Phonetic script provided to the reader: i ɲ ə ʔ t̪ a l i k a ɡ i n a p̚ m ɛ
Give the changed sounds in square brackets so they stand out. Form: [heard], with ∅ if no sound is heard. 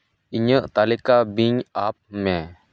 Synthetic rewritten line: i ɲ ə ʔ t̪ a l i k a [b] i [ɲ] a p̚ m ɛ